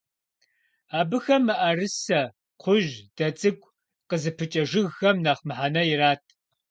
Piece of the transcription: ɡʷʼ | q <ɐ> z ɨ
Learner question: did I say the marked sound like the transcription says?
no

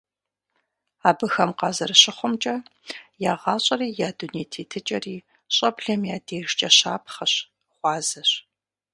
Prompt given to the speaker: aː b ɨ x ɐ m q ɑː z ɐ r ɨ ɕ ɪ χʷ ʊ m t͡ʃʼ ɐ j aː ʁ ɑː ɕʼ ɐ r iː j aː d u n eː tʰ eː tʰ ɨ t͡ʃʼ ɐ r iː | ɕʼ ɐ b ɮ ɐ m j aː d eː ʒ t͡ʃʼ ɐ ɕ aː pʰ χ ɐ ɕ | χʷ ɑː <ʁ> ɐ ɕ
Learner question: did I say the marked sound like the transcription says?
no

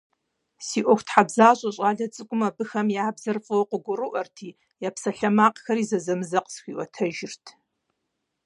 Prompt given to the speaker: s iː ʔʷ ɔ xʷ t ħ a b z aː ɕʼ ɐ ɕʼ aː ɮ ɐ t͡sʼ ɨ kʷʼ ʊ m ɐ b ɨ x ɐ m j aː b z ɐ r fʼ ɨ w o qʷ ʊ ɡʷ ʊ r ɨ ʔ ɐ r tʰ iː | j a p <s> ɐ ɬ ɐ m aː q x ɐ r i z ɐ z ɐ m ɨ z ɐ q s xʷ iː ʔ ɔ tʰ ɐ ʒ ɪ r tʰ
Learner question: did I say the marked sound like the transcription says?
yes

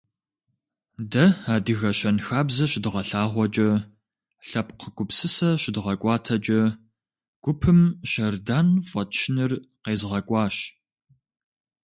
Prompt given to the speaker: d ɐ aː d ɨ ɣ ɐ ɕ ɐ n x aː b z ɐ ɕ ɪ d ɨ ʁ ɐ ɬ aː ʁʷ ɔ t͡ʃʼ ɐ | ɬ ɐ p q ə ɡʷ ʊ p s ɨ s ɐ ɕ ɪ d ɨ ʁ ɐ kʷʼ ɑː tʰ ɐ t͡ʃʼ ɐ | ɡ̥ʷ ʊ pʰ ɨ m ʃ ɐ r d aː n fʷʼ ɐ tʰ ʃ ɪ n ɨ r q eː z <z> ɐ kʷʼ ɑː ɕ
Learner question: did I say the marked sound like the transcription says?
no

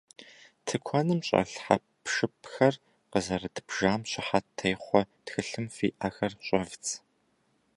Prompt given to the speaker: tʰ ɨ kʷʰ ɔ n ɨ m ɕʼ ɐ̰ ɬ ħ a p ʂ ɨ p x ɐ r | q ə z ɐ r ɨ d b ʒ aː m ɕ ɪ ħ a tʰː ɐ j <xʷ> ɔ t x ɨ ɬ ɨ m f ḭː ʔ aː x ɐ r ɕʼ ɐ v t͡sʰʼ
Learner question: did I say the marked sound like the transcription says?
no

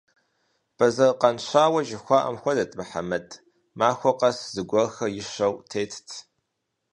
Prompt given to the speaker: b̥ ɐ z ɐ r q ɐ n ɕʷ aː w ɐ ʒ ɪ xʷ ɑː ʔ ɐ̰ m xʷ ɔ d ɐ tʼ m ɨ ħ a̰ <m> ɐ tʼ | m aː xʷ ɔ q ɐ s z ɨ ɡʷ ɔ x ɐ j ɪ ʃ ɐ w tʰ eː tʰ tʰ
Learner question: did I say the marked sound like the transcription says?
yes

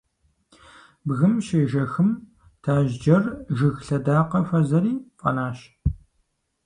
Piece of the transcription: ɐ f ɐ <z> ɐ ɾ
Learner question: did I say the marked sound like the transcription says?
yes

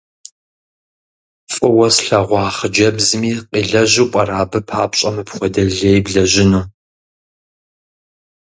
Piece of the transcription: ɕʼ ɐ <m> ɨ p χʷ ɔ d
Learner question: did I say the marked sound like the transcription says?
yes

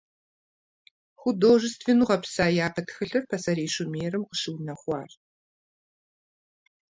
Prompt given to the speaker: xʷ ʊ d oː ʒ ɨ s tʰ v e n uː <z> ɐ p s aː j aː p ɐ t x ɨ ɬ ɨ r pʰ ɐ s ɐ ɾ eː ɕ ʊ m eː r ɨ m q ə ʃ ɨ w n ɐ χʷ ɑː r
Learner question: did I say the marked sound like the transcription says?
no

